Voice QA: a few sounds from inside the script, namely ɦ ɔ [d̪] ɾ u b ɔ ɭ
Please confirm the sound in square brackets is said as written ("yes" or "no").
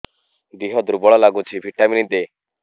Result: yes